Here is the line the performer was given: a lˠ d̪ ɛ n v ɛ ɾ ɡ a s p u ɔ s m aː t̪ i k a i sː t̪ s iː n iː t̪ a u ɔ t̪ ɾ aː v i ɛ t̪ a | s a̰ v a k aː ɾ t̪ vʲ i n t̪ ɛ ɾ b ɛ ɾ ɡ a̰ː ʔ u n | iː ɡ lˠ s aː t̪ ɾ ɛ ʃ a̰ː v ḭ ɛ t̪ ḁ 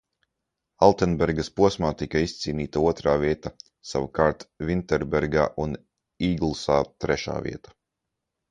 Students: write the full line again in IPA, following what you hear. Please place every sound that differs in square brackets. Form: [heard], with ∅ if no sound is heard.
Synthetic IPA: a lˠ [t̪] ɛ n [b] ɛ ɾ ɡ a s p u ɔ s m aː t̪ i k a i [s] t̪ s iː n iː t̪ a u ɔ t̪ ɾ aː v i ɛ t̪ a | s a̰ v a k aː ɾ t̪ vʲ i n t̪ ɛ ɾ b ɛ ɾ ɡ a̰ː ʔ u n | iː ɡ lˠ s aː t̪ ɾ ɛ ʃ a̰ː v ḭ ɛ t̪ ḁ